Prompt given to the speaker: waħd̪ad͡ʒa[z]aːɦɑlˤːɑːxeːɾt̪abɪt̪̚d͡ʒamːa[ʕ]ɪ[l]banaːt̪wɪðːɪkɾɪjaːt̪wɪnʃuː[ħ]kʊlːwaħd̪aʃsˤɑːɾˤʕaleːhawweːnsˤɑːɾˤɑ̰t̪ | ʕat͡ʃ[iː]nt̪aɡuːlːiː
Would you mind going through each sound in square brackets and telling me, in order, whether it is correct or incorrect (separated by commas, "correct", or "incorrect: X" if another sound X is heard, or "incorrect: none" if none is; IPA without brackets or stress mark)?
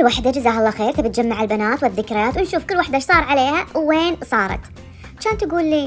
correct, correct, correct, incorrect: f, incorrect: aː